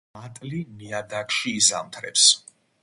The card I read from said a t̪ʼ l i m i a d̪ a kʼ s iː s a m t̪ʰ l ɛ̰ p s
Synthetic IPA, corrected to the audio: a t̪ʼ l i m i a d̪ a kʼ ʃ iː z a m t̪ʰ ɾ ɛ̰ p s

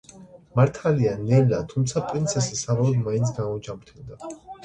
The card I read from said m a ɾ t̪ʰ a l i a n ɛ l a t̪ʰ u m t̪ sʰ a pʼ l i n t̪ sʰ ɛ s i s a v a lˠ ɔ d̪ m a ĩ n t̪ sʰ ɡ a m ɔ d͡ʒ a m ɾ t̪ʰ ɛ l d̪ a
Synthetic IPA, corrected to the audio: m a ɾ t̪ʰ a l i a n ɛ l a t̪ʰ u m t̪ sʰ a pʼ ɾ i n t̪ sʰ ɛ s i s a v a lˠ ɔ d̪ m a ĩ n t̪ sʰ ɡ a m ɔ d͡ʒ a m ɾ t̪ʰ ɛ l d̪ a

